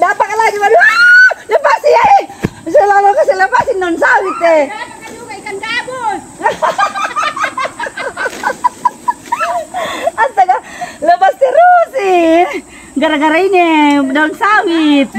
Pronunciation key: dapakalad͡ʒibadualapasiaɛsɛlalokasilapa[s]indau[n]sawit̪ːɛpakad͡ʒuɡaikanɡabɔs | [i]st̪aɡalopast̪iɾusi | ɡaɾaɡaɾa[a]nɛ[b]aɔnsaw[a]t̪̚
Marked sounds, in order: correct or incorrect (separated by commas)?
correct, correct, incorrect, incorrect, incorrect, incorrect